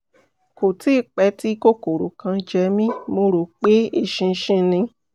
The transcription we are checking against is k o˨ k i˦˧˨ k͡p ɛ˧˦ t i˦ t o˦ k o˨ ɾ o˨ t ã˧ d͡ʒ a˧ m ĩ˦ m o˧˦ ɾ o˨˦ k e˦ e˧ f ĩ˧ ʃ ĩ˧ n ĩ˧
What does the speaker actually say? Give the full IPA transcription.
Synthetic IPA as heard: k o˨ t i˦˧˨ k͡p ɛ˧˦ t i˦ k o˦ k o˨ ɾ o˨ k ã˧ d͡ʒ ɛ˧ m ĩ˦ m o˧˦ ɾ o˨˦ k͡p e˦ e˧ ʃ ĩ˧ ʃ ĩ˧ n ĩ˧